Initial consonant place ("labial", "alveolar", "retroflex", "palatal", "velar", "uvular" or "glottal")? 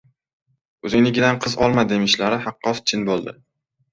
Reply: alveolar